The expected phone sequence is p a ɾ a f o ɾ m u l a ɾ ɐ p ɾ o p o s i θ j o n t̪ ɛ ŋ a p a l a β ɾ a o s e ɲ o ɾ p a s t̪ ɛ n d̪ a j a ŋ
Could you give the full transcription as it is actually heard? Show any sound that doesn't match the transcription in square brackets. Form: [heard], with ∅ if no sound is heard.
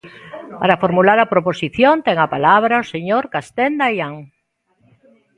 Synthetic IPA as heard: p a ɾ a f o ɾ m u l a ɾ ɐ p ɾ o p o s i θ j o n t̪ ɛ ŋ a p a l a β ɾ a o s e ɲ o ɾ [k] a s t̪ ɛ n d̪ a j a ŋ